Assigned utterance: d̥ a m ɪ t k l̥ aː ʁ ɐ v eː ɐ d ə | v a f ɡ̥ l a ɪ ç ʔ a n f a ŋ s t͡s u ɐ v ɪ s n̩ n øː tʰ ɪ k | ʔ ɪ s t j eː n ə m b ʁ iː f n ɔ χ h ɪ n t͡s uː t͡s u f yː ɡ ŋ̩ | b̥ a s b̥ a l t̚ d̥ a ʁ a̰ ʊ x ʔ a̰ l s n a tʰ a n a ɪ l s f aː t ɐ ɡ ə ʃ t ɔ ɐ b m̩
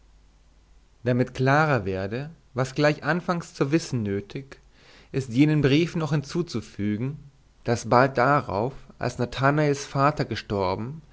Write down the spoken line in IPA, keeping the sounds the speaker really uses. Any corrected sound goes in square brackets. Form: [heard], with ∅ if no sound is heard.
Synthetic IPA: d̥ a m ɪ t k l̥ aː ʁ ɐ v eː ɐ d ə | v a [s] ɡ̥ l a ɪ ç ʔ a n f a ŋ s t͡s u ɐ v ɪ s n̩ n øː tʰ ɪ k | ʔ ɪ s t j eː n ə [n] b ʁ iː f n ɔ χ h ɪ n t͡s uː t͡s u f yː ɡ ŋ̩ | [d̥] a s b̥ a l t̚ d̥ a ʁ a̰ ʊ [f] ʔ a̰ l s n a tʰ a n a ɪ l s f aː t ɐ ɡ ə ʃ t ɔ ɐ b m̩